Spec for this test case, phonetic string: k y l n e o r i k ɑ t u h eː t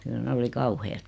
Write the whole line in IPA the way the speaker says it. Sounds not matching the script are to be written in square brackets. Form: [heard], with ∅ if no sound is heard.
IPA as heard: k y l n e o [l] i k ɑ [∅] u h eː t